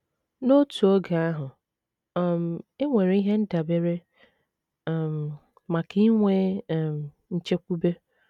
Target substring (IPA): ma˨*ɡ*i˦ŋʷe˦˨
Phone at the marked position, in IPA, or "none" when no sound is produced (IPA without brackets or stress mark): k